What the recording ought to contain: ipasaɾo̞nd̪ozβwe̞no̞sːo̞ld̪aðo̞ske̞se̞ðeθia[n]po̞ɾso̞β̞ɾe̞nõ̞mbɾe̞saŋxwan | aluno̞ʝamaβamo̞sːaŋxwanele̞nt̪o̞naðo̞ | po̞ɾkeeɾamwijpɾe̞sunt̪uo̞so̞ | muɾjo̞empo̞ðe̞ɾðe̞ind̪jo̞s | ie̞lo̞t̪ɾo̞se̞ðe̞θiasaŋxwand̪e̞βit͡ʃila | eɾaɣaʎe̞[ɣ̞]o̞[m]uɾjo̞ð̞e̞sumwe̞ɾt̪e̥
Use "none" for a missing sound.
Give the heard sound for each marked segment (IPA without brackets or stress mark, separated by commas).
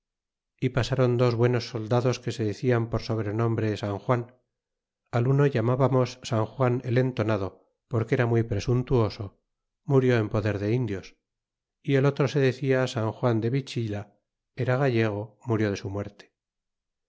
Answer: m, ɣ̞, m